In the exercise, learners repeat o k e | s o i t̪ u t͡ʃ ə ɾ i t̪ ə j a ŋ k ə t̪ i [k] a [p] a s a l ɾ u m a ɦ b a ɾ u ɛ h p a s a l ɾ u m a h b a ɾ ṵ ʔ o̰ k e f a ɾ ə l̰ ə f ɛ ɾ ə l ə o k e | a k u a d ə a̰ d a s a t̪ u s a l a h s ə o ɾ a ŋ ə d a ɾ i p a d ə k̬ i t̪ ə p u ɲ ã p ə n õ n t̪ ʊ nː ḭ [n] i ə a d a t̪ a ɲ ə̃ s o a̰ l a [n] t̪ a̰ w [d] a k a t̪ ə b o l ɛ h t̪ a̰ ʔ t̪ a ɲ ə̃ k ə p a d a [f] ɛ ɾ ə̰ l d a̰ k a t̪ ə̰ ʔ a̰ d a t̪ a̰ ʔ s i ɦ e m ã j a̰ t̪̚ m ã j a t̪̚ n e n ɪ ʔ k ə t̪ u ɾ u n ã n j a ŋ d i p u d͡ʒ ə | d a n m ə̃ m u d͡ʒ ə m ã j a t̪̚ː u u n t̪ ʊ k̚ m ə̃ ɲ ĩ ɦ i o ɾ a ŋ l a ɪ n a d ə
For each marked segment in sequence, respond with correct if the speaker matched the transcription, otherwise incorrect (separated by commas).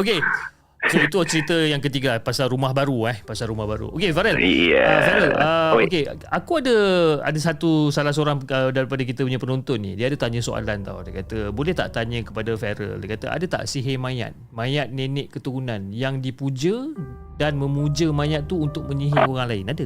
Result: incorrect, correct, incorrect, correct, correct, correct